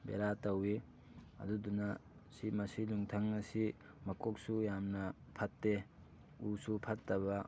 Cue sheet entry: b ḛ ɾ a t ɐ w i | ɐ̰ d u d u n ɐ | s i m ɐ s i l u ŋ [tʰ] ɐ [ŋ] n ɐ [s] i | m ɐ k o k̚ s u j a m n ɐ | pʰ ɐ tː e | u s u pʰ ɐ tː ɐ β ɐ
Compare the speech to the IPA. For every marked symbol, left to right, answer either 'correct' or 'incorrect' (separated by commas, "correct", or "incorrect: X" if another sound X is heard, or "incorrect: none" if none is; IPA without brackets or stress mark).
correct, correct, correct